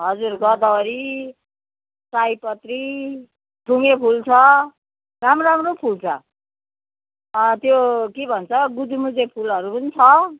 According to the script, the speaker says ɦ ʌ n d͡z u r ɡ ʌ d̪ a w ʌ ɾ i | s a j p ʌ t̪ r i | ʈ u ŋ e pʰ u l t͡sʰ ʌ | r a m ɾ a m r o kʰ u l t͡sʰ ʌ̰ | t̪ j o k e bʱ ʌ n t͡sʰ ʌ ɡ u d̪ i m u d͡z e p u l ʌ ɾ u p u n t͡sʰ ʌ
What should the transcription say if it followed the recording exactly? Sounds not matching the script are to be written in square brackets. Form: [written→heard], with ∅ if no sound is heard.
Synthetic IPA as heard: ɦ ʌ [n→∅] d͡z u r ɡ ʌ d̪ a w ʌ ɾ i | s a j p ʌ t̪ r i | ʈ u ŋ e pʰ u l t͡sʰ ʌ | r a m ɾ a m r o [kʰ→pʰ] u l t͡sʰ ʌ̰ | t̪ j o k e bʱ ʌ n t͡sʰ ʌ ɡ u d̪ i m u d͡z e [p→pʰ] u l ʌ ɾ u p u n t͡sʰ ʌ